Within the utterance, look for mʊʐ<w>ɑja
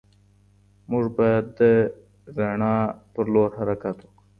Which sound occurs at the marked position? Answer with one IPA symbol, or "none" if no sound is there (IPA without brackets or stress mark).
b